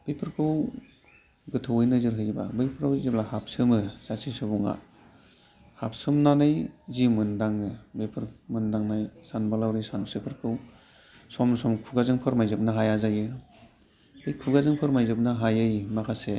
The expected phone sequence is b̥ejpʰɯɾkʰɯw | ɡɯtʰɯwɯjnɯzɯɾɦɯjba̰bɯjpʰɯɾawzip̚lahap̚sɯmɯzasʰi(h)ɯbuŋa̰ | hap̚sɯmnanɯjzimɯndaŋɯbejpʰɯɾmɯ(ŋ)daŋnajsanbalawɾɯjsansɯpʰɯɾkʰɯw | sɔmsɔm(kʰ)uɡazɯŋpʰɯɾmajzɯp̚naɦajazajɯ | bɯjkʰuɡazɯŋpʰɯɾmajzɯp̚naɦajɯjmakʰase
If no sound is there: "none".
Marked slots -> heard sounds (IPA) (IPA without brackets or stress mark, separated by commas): s, n, kʰ